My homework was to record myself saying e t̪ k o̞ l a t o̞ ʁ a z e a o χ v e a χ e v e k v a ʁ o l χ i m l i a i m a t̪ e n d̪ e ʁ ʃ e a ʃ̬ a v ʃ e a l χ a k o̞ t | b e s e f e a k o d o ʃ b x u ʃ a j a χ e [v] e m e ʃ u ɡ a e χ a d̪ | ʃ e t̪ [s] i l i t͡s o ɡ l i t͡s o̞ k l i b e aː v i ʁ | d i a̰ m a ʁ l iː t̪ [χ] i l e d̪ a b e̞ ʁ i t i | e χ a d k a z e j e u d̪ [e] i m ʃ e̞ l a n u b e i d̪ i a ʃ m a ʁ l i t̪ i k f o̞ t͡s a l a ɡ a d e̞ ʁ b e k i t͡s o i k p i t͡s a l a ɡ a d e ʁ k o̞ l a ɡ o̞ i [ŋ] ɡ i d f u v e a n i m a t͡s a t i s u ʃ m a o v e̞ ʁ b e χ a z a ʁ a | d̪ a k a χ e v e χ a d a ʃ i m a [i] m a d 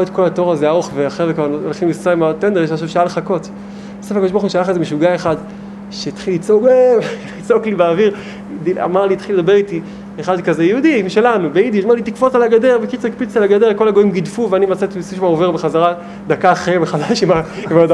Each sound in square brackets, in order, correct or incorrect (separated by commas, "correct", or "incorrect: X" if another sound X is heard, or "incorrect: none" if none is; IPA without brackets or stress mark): incorrect: z, incorrect: χ, correct, incorrect: i, incorrect: m, correct